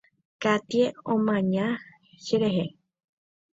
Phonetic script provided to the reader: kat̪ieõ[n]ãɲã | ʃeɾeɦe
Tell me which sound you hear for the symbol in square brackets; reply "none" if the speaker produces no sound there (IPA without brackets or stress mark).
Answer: m